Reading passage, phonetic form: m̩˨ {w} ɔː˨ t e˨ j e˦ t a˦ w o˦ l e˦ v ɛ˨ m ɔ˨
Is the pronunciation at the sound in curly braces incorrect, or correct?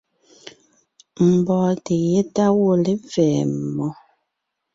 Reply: incorrect